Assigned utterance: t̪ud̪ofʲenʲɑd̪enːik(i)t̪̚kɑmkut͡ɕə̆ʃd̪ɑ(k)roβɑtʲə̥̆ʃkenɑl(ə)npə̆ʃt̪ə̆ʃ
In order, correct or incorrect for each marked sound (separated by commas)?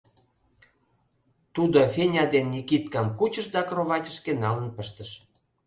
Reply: correct, correct, correct